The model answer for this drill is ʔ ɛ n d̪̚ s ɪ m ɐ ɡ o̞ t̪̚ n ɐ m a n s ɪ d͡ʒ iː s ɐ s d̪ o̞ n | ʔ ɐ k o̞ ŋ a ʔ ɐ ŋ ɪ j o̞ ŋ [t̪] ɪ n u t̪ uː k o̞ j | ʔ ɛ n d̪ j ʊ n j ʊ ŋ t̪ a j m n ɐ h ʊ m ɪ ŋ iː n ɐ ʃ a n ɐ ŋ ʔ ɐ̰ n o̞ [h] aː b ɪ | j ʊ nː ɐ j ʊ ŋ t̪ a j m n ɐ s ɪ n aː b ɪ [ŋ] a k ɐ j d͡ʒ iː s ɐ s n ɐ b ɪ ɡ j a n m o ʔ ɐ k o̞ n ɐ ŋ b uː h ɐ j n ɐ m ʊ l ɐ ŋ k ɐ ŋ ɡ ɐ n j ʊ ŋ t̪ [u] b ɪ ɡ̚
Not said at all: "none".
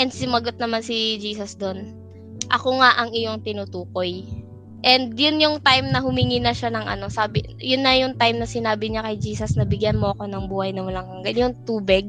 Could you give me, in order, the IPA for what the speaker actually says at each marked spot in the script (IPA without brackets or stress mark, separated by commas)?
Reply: t̪, s, ɲ, uː